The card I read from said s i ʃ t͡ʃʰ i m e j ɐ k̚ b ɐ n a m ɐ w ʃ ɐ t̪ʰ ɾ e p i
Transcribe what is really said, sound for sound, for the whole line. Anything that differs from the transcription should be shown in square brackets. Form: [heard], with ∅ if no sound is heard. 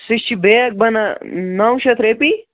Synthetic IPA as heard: s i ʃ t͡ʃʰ i [b] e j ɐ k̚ b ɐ n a [n] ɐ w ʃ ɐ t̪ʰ ɾ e p i